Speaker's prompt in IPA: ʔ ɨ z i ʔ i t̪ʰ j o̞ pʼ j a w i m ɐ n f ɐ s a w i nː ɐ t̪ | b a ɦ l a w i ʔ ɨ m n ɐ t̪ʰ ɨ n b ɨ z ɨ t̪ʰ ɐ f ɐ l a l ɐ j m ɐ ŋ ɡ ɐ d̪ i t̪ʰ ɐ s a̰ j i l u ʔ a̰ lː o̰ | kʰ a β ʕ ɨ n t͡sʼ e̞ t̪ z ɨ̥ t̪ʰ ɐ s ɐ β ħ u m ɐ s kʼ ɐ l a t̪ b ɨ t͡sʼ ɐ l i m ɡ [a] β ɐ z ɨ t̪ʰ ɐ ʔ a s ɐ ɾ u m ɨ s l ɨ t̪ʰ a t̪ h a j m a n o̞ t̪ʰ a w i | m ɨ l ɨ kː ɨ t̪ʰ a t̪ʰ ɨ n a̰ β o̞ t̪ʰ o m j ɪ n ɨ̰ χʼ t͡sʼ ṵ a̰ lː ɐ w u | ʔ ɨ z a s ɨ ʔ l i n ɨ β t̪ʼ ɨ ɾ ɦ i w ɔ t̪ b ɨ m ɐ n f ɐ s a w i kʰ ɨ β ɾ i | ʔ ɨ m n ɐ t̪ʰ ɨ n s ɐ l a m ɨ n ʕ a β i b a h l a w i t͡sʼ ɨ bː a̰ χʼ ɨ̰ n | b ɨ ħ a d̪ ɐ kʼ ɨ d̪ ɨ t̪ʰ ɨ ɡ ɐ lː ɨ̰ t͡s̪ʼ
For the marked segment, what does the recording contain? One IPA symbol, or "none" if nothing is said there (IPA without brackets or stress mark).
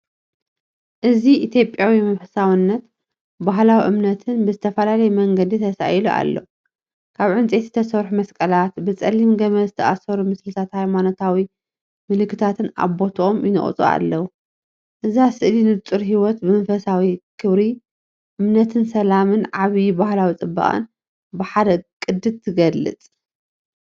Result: ɐ